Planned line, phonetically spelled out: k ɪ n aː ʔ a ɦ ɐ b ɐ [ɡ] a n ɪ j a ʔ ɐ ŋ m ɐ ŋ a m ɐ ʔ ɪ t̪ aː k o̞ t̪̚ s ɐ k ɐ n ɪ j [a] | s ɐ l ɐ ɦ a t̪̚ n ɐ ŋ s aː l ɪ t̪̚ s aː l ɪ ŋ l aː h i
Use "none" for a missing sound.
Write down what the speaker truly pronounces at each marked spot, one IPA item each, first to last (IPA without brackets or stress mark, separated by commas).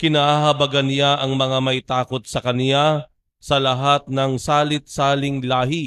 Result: ɡ, a